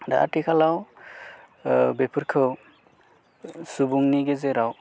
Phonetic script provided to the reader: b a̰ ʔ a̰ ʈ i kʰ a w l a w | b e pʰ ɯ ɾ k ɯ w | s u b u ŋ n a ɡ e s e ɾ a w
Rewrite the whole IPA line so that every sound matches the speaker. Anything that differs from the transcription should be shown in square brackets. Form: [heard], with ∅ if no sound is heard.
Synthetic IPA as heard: [d] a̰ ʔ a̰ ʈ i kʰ a [∅] l a w | b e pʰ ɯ ɾ [kʰ] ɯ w | s u b u ŋ n [i] ɡ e [z] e ɾ a w